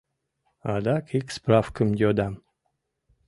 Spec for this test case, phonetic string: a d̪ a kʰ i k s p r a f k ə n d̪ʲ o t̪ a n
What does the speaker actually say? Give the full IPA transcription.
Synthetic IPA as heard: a d̪ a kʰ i k s p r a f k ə m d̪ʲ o d̪ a m